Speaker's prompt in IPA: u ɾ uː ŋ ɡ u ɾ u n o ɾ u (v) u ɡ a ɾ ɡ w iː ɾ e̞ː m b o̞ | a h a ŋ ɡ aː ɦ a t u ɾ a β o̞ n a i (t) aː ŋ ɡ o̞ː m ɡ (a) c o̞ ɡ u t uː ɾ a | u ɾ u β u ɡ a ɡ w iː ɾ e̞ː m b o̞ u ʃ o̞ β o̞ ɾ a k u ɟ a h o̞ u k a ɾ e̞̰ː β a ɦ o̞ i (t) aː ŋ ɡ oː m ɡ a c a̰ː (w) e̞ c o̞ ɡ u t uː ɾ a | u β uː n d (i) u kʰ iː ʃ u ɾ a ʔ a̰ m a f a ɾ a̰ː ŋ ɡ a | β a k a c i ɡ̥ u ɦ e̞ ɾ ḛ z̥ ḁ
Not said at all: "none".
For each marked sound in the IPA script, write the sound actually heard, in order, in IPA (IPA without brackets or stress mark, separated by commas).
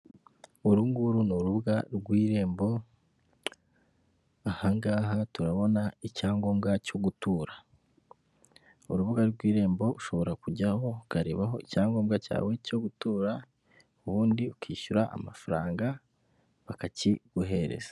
β, c, a, c, w, i